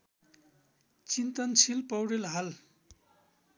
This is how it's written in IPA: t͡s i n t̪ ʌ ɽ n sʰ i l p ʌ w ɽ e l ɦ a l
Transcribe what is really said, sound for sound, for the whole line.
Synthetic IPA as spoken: t͡s i n t̪ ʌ n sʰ i l p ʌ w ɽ e l ɦ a l